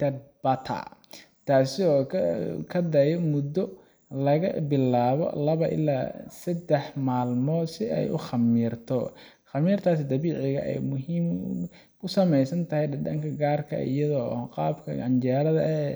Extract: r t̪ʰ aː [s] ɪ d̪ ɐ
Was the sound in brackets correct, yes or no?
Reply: yes